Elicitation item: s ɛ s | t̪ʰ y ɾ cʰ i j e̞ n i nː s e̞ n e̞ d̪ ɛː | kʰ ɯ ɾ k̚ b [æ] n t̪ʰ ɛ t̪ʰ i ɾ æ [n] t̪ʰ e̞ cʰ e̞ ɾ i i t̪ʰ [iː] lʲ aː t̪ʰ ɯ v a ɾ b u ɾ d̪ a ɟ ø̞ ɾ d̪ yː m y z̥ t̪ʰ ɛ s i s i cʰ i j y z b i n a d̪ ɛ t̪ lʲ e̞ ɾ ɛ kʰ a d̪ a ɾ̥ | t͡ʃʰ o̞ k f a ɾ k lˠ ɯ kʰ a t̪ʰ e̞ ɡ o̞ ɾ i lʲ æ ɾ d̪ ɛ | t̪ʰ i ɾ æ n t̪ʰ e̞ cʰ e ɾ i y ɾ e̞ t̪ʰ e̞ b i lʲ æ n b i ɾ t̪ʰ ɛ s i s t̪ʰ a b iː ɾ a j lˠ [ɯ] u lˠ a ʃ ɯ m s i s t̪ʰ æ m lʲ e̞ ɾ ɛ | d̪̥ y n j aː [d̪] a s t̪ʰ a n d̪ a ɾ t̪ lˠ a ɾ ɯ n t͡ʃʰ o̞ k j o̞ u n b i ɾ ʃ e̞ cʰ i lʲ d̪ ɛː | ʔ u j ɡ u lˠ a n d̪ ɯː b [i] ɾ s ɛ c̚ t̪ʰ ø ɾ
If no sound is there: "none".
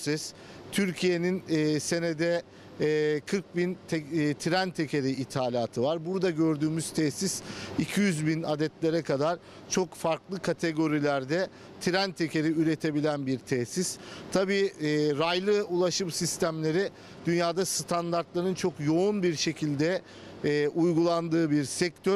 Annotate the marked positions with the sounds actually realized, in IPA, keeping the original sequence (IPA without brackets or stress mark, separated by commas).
i, n, aː, ɯ, d̪, i